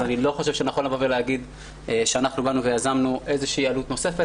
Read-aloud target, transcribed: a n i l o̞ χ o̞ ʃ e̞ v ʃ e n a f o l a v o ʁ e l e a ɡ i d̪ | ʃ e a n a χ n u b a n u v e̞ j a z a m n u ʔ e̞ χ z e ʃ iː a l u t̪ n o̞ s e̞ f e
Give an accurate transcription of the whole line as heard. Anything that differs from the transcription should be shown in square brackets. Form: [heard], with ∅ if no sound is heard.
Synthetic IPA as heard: a n i l o̞ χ o̞ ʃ e̞ v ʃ e n a [χ] o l a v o [v] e l e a ɡ i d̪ | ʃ e a n a χ n u b a n u v e̞ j a z a m n u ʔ e̞ [∅] z e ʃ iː a l u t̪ n o̞ s e̞ f e